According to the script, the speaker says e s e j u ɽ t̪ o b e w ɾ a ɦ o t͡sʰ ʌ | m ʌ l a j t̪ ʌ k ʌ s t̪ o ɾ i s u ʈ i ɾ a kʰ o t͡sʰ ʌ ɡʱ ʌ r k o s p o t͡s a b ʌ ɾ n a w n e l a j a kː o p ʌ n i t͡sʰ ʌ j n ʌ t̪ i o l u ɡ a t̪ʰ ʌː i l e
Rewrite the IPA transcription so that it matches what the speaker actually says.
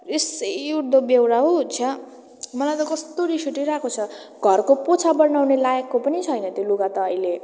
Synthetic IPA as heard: e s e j u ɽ d̪ o b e w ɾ a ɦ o t͡sʰ ʌ | m ʌ l a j t̪ ʌ k ʌ s t̪ o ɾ i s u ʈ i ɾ a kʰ o t͡sʰ ʌ ɡʱ ʌ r k o p o t͡sʰ a b ʌ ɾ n a w n e l a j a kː o p ʌ n i t͡sʰ ʌ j n ʌ t̪ j o l u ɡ a t̪ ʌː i l e